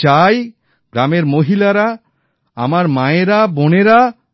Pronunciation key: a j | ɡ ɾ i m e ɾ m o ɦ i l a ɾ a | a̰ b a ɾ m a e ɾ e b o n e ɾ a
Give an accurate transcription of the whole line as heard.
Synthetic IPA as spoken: a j | ɡ ɾ a m e ɾ m o ɦ i l a ɾ a | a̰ m a ɾ m a e ɾ a b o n e ɾ a

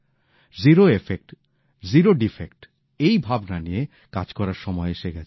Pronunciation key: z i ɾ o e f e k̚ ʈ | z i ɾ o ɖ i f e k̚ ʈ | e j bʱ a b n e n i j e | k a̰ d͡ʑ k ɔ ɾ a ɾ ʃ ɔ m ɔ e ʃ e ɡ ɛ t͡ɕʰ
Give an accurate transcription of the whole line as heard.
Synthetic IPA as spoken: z i ɾ o e f e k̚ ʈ | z i ɾ o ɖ i f e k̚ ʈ | e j bʱ a b n a n i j e | k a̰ d͡ʑ k ɔ ɾ a ɾ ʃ ɔ m ɔ e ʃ e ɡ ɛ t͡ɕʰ

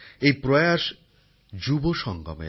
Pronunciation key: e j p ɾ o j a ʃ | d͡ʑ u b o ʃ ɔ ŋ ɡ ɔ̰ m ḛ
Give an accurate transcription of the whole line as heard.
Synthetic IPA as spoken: e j p ɾ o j a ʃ | d͡ʑ u b o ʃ ɔ ŋ ɡ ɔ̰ m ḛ

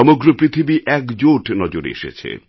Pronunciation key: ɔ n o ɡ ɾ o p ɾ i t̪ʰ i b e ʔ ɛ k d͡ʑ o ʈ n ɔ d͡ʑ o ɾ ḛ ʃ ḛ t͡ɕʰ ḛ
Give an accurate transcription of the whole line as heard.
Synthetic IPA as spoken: ɔ m o ɡ ɾ o p ɾ i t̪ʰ i b i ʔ ɛ k d͡ʑ o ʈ n ɔ d͡ʑ o ɾ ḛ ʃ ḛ t͡ɕʰ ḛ

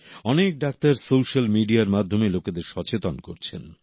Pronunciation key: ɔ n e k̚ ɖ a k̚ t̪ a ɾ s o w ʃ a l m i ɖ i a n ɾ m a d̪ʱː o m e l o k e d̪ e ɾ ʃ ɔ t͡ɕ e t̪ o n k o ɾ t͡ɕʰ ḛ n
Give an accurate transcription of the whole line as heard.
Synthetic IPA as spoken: ɔ n e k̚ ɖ a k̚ t̪ a ɾ s o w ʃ a l m i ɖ i a ɾ m a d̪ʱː o m e l o k e d̪ e ɾ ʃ ɔ t͡ɕ e t̪ o n k o ɾ t͡ɕʰ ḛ n

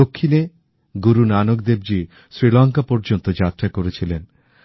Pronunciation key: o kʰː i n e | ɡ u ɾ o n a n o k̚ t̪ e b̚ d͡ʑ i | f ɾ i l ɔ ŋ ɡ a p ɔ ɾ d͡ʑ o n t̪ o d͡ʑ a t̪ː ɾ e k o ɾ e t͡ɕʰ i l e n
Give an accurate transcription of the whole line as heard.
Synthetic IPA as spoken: o kʰː i n e | ɡ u ɾ u n a n o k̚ d̪ e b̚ d͡ʑ i | s ɾ i l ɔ ŋ k a p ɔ ɾ d͡ʑ o n t̪ o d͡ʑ a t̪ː ɾ a k o ɾ e t͡ɕʰ i l e n

